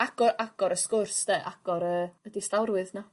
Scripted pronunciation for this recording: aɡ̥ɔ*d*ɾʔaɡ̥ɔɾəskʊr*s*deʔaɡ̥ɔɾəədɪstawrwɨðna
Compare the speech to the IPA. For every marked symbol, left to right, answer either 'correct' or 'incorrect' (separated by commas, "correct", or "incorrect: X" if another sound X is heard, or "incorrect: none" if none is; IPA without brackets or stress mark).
incorrect: none, correct